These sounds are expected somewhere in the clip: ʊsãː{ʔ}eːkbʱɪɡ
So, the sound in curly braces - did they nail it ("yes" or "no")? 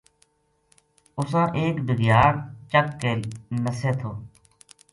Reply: yes